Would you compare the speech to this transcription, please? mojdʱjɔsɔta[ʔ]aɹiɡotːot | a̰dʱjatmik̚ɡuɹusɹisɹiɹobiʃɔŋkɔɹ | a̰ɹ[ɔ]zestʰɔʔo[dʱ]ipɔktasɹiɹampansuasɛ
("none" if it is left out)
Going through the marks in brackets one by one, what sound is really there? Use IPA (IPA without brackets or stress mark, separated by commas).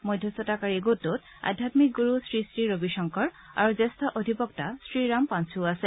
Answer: k, u, dʱ